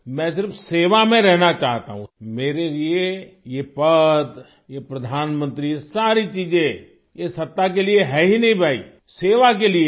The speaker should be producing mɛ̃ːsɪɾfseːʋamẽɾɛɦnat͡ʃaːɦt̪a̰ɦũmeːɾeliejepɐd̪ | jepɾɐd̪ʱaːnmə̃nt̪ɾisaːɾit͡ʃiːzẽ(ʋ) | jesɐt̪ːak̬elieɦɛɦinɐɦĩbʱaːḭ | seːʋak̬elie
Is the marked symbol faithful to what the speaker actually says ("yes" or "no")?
no